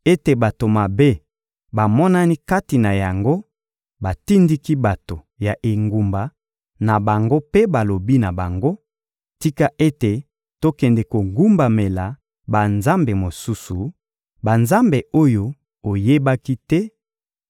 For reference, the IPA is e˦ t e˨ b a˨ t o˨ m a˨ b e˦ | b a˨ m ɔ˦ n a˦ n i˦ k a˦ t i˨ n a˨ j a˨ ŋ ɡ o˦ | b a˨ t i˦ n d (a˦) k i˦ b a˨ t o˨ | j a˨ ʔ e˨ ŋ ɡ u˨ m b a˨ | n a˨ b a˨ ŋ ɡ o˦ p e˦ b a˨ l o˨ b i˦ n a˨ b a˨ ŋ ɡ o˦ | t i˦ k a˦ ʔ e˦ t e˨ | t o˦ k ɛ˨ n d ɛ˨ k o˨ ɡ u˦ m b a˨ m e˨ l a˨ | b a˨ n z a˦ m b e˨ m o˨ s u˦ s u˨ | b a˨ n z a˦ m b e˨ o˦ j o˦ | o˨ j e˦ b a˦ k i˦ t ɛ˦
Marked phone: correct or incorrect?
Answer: incorrect